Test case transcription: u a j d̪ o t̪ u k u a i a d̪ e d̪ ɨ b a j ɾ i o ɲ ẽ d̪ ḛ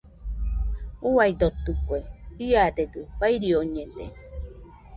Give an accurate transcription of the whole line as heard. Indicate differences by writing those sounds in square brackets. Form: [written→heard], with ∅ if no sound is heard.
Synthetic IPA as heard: u a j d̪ o t̪ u k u [a→e] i a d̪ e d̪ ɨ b a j ɾ i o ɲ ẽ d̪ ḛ